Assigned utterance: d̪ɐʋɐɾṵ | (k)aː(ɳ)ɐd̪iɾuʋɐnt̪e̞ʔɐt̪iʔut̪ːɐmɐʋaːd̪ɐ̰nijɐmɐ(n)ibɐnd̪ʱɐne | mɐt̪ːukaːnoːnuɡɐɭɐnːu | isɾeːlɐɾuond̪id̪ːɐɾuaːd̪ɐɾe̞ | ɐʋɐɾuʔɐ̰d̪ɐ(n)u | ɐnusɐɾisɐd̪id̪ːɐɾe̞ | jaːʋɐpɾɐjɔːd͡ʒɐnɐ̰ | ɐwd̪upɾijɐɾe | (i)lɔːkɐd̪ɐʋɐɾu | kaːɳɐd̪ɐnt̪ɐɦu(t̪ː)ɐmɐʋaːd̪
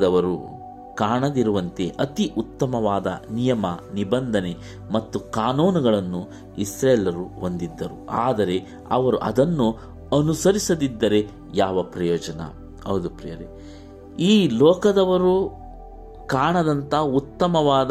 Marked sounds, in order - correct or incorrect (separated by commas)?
correct, correct, correct, incorrect, incorrect, correct